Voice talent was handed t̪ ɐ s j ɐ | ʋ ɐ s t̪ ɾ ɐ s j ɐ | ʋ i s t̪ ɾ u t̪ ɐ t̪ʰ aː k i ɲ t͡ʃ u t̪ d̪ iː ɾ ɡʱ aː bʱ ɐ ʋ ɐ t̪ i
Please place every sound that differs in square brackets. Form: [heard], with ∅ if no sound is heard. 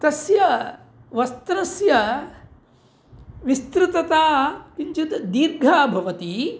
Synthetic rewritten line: t̪ ɐ s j ɐ | ʋ ɐ s t̪ ɾ ɐ s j ɐ | ʋ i s t̪ ɾ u t̪ ɐ [t̪] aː k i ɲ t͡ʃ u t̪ d̪ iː ɾ ɡʱ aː bʱ ɐ ʋ ɐ t̪ i